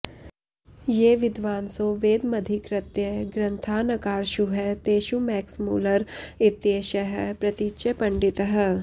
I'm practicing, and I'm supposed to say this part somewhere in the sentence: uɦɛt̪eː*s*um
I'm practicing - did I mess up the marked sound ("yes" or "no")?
yes